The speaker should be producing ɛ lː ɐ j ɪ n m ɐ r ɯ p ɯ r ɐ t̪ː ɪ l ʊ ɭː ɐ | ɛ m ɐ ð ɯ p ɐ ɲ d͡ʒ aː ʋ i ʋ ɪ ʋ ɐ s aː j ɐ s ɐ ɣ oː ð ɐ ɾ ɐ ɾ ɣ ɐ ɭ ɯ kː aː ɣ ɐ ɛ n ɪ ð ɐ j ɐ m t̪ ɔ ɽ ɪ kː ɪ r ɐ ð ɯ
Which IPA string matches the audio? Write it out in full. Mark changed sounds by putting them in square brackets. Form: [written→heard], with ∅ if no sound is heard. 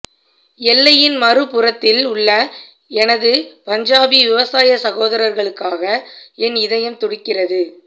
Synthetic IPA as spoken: ɛ lː ɐ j ɪ n m ɐ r ɯ p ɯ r ɐ t̪ː ɪ l ʊ ɭː ɐ | ɛ [m→n] ɐ ð ɯ p ɐ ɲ d͡ʒ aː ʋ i ʋ ɪ ʋ ɐ s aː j ɐ s ɐ ɣ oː ð ɐ ɾ ɐ ɾ ɣ ɐ ɭ ɯ kː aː ɣ ɐ ɛ n ɪ ð ɐ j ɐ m t̪ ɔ ɽ ɪ kː ɪ r ɐ ð ɯ

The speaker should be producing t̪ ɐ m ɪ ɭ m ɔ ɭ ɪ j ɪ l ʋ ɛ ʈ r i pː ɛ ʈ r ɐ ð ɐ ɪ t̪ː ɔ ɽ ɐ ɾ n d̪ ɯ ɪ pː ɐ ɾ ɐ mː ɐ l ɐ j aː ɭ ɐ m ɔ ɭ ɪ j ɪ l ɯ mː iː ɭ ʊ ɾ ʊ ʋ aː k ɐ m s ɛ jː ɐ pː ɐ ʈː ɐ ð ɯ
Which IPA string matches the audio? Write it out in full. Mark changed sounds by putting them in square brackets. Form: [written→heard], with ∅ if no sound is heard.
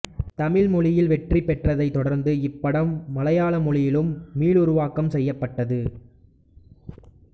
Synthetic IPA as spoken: t̪ ɐ m ɪ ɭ m ɔ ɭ ɪ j ɪ l ʋ ɛ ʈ r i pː ɛ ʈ r ɐ ð ɐ ɪ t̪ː ɔ ɽ ɐ ɾ n d̪ ɯ ɪ pː ɐ [ɾ→ɽ] ɐ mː ɐ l ɐ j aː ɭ ɐ m ɔ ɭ ɪ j ɪ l ɯ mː iː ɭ ʊ ɾ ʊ ʋ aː k ɐ m s ɛ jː ɐ pː ɐ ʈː ɐ ð ɯ

